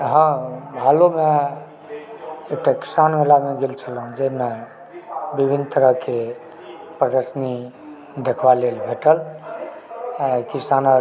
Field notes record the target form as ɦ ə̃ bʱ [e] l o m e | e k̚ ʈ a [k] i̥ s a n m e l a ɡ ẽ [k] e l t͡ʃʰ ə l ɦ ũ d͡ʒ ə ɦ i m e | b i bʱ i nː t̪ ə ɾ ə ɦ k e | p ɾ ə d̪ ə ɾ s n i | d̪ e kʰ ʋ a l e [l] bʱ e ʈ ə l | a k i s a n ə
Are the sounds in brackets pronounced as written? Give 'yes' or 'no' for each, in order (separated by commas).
no, yes, no, yes